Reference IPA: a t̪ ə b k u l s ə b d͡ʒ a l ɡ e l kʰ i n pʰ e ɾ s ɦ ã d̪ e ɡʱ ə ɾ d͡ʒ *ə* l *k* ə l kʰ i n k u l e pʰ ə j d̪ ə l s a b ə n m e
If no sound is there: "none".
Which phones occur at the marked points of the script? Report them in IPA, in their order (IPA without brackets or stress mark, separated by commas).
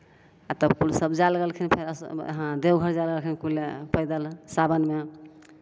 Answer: a, ɡ